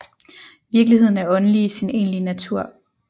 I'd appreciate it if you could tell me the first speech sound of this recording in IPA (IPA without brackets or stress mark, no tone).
ʋ